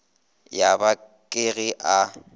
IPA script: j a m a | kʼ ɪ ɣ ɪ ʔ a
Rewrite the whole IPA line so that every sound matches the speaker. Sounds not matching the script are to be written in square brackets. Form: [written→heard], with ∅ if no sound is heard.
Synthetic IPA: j a [m→b] a | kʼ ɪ ɣ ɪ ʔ a

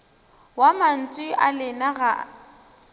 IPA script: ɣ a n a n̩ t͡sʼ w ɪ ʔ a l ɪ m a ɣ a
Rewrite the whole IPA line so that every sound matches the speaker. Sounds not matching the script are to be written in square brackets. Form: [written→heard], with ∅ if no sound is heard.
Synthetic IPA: [ɣ→w] a [n→m] a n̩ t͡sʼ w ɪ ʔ a l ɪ [m→n] a ɣ a

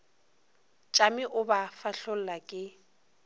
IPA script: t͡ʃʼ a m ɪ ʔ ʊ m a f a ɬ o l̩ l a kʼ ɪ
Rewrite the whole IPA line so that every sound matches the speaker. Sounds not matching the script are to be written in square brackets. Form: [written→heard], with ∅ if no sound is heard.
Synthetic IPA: t͡ʃʼ a m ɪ ʔ ʊ [m→b] a f a ɬ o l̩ l a kʼ ɪ

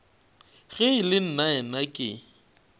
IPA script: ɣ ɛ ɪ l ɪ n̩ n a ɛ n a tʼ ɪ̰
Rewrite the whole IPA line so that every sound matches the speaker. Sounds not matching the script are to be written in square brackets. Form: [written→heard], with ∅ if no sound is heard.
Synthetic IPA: ɣ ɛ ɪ l ɪ n̩ n a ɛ n a [tʼ→kʼ] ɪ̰

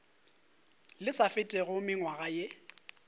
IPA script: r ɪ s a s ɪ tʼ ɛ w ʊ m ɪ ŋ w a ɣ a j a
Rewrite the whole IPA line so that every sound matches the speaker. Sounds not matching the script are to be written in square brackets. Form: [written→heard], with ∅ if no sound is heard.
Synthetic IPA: [r→l] ɪ s a [s→f] ɪ tʼ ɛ [w→ɣ] ʊ m ɪ ŋ w a ɣ a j [a→e]

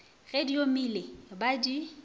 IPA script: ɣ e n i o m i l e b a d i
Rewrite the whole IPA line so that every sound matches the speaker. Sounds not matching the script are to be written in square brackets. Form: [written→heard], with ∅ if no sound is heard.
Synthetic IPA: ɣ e [n→d] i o m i l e b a d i

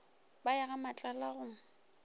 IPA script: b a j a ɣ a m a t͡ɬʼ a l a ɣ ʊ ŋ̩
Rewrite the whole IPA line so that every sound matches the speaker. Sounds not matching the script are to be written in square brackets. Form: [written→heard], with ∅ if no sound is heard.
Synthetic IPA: b a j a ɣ a m a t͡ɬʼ a l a ɣ ʊ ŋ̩

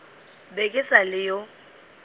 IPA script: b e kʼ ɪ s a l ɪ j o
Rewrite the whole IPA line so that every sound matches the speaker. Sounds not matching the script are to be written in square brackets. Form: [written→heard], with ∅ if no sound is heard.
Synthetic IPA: b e kʼ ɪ s a l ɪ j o

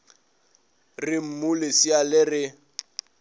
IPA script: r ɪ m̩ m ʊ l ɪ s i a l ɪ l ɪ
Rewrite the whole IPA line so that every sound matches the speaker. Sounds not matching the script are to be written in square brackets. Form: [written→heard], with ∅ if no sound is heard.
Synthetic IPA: r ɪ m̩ m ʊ l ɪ s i a l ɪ [l→r] ɪ

